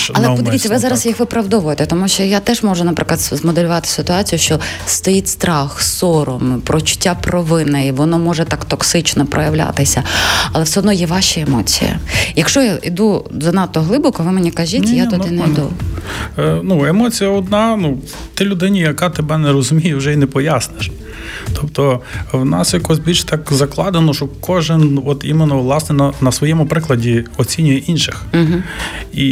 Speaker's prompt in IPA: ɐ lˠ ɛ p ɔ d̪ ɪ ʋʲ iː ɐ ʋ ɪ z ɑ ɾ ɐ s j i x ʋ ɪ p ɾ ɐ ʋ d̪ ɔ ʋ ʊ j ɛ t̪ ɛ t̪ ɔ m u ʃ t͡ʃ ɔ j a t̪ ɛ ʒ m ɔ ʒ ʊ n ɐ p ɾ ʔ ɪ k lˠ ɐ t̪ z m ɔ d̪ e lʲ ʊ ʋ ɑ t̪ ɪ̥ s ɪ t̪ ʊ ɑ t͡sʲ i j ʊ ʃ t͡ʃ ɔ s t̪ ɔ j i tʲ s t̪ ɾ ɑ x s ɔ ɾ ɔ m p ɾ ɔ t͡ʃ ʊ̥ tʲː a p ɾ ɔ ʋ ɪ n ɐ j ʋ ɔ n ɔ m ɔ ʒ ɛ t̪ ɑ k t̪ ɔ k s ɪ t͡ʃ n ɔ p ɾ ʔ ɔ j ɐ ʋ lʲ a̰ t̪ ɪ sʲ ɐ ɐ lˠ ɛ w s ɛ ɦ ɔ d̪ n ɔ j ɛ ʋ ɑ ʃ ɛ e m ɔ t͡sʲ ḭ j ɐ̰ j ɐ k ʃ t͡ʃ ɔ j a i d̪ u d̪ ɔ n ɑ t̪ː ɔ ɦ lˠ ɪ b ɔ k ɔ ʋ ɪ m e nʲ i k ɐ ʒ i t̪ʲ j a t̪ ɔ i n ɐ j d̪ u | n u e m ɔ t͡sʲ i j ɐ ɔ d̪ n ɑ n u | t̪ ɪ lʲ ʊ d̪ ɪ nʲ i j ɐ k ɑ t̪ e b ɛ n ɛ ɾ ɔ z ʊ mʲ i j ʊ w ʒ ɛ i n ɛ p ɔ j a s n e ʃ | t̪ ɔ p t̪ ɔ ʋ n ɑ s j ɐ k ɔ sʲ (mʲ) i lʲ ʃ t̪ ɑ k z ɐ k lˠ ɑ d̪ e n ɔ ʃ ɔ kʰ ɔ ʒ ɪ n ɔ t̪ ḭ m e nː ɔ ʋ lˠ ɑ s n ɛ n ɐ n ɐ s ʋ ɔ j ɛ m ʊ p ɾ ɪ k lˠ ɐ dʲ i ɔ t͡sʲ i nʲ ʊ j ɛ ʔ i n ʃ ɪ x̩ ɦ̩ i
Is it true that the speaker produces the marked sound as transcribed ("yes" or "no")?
no